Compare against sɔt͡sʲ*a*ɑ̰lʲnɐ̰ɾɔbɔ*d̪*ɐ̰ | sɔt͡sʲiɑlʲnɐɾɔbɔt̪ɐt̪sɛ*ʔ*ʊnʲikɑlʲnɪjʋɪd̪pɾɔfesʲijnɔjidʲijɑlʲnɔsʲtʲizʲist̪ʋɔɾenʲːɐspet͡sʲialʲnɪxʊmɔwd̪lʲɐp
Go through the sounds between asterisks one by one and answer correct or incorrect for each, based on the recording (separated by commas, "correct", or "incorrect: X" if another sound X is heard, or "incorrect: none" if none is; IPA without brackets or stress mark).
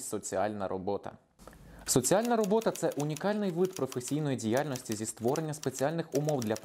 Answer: incorrect: i, incorrect: t̪, correct